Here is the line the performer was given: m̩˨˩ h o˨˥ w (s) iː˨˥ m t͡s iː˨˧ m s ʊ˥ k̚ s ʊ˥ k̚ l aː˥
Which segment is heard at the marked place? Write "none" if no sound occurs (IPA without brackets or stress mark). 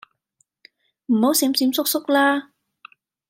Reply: s